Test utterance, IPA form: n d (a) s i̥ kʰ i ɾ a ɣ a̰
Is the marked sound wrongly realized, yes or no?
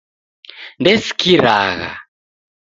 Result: yes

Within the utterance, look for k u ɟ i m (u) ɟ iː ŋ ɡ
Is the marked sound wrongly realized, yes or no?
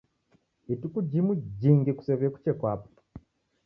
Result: no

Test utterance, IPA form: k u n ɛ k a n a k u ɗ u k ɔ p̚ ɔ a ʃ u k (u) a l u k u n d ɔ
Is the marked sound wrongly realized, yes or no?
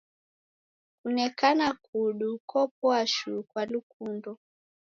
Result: yes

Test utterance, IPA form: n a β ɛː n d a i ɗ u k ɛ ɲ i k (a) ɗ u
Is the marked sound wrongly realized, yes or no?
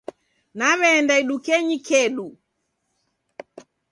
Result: yes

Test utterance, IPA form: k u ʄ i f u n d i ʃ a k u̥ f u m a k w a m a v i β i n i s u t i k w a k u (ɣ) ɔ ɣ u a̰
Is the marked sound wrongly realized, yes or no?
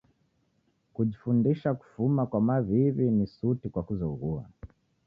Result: yes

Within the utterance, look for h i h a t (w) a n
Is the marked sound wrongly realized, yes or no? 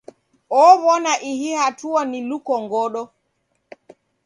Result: yes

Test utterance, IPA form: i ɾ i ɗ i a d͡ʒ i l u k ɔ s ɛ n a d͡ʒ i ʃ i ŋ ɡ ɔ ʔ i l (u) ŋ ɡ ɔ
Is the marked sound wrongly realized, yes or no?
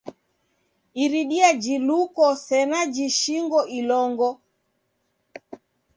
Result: yes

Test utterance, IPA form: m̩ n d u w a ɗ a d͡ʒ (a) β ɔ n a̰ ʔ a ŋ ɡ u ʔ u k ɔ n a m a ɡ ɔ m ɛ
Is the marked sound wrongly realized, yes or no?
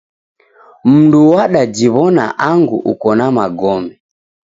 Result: yes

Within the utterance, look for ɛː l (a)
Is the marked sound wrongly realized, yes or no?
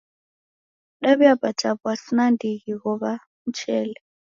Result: yes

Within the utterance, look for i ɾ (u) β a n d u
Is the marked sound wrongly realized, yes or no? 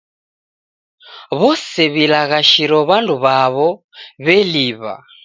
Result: yes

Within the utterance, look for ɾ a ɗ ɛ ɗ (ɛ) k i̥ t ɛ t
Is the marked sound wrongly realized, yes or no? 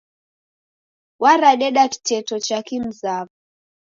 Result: yes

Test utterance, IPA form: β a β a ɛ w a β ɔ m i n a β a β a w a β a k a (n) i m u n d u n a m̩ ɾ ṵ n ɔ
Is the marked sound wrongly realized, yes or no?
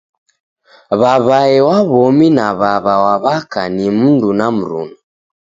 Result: no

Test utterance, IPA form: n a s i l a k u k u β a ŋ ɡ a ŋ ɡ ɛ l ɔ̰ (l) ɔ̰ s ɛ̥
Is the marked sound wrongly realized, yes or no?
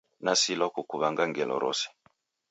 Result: yes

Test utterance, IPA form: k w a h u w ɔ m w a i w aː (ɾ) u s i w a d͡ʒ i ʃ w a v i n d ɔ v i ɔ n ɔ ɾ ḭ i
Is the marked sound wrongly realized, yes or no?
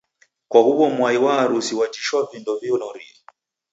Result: no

